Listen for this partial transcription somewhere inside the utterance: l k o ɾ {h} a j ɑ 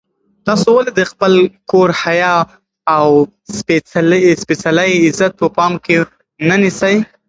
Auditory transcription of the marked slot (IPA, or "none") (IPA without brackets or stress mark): h